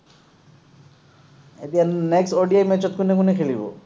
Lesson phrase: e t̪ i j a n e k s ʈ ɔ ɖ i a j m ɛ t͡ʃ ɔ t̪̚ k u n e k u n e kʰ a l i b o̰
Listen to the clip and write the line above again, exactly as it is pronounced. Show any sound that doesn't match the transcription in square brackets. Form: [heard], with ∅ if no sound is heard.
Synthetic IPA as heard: e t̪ i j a n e k s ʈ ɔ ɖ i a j m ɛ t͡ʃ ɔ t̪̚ k u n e k u n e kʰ [e] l i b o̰

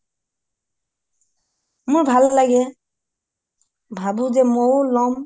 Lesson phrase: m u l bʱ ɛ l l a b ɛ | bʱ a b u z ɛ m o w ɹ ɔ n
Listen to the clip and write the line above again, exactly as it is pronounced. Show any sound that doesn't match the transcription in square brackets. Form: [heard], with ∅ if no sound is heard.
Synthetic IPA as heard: m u [ɹ] bʱ [a] l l a [ɡ] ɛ | bʱ a b u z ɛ m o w [l] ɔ [m]

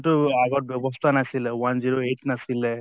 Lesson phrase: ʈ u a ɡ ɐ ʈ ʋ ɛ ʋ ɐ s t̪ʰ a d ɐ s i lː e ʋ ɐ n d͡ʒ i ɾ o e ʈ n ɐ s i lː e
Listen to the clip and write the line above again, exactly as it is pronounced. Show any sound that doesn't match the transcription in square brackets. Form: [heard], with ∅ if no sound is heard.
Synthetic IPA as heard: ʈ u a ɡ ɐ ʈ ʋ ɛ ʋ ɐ s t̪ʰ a [n] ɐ s i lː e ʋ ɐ n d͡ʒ i ɾ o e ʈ n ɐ s i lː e

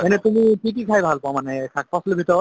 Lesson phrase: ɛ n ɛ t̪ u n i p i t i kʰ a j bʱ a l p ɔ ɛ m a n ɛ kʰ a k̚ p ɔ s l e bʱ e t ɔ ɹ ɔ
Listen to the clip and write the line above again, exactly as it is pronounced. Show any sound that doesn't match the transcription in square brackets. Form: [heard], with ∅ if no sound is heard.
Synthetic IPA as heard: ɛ n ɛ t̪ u [m] i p i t i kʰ a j bʱ a l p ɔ [a] m a n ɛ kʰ a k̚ p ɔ s l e bʱ [i] t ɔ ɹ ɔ

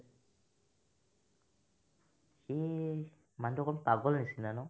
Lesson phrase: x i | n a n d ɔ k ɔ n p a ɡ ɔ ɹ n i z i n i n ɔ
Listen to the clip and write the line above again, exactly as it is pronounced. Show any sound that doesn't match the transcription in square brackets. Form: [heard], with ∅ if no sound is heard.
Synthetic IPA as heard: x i | [m] a n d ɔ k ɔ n p a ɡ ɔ [l] n i [s] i n [a] n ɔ

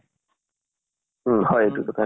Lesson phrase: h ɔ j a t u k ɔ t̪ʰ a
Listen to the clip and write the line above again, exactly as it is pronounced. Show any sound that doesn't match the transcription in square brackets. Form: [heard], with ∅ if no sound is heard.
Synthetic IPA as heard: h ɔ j [e] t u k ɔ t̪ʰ a

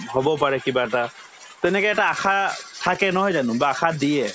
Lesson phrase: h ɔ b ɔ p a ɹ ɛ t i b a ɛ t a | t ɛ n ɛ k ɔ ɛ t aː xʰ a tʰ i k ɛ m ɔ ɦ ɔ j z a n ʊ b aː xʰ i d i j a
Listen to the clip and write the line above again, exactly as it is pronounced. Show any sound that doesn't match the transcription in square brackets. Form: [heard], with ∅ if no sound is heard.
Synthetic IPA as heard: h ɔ b ɔ p a ɹ ɛ [k] i b a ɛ t a | t ɛ n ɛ k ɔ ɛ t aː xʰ a tʰ [a] k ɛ [n] ɔ ɦ ɔ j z a n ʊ b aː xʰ [a] d i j [ɛ]

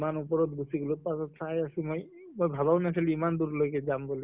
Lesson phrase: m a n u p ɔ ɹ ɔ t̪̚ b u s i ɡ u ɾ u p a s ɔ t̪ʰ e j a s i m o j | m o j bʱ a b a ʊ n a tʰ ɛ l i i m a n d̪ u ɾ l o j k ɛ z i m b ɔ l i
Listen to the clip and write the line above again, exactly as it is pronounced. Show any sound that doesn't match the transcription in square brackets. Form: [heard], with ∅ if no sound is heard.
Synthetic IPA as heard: m a n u p ɔ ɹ ɔ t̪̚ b u s i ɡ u [l] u p a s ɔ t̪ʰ [a] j a s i m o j | m o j bʱ a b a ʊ n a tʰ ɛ l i i m a n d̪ u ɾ l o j k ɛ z [a] m b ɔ l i

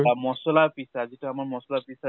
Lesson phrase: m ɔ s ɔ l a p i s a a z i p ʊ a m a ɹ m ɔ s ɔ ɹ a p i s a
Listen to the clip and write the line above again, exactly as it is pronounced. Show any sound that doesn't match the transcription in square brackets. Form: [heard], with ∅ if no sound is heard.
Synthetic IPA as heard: m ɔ s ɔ l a p i s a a z i [t] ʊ a m a ɹ m ɔ s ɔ [l] a p i s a

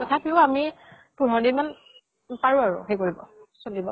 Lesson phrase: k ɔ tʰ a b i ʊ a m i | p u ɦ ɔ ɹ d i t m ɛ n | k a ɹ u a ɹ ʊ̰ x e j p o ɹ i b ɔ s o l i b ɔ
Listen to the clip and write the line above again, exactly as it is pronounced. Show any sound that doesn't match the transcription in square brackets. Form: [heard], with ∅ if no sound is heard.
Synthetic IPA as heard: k ɔ tʰ a [p] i ʊ a m i | p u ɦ ɔ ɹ d i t m [a] n | [p] a ɹ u a ɹ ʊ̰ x e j [k] o ɹ i b ɔ s o l i b ɔ

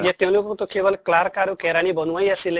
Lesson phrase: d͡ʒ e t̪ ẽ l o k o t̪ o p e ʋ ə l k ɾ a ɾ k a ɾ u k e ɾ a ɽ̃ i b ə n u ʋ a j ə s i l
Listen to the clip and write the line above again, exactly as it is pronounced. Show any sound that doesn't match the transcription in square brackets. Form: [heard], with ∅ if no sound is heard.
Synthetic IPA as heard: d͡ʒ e t̪ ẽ l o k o t̪ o [k] e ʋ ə l k [l] a ɾ k a ɾ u k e ɾ a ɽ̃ i b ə n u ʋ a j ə s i l

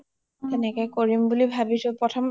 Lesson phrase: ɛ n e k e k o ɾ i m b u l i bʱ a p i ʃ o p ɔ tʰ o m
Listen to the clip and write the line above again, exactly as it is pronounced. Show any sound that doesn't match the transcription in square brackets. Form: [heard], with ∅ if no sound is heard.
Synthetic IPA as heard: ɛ n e k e k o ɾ i m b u l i bʱ a [b] i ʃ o p ɔ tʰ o m

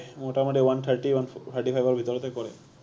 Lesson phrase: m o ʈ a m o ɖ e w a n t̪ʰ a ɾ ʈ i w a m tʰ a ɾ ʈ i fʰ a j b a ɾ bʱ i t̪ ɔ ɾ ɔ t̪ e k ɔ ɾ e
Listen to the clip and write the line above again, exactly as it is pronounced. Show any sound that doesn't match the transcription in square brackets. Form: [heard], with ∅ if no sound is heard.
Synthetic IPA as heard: m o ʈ a m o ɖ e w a n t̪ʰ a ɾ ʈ i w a [n] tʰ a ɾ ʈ i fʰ a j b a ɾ bʱ i t̪ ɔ ɾ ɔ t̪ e k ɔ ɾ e

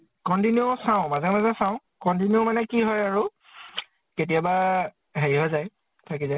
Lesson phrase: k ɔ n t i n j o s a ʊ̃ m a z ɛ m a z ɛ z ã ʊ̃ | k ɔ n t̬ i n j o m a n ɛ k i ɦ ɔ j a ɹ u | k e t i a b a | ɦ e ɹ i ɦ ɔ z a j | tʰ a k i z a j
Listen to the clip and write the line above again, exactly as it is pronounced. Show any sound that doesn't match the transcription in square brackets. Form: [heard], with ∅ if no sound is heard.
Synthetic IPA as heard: k ɔ n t i n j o s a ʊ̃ m a z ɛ m a z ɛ [s] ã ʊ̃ | k ɔ n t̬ i n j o m a n ɛ k i ɦ ɔ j a ɹ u | k e t i a b a | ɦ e ɹ i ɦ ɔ z a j | tʰ a k i z a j

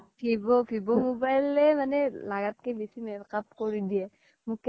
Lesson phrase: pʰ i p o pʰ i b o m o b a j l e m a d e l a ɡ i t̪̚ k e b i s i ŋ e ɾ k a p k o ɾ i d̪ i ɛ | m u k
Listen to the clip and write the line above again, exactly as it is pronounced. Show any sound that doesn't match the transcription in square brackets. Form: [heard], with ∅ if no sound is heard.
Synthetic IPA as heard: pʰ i [b] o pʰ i b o m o b a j l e m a [n] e l a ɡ [a] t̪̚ k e b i s i [m] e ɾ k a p k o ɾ i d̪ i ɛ | m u k

